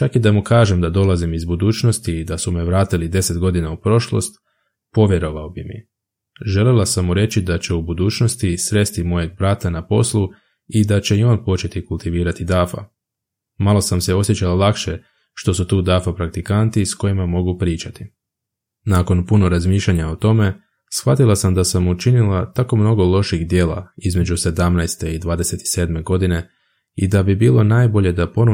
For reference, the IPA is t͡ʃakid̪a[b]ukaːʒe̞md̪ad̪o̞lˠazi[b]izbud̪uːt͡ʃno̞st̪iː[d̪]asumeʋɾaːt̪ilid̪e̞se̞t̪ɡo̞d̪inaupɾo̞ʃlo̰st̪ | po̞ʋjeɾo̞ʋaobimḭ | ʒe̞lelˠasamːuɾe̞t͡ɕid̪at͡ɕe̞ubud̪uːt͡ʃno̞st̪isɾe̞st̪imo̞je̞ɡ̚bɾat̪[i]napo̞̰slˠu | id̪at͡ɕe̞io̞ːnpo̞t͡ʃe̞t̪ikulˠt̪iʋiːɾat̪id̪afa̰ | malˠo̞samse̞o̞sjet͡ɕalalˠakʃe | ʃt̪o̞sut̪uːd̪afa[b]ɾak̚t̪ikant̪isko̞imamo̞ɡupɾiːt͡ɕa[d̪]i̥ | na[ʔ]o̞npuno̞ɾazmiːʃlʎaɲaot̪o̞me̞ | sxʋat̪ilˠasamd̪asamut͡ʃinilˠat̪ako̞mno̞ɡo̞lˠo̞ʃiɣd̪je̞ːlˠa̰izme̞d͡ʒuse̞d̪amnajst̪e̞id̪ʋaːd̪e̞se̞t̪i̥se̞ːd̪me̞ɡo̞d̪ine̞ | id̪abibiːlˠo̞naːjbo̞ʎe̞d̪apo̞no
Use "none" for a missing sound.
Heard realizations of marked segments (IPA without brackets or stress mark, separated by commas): m, m, d̪, a, p, t̪, k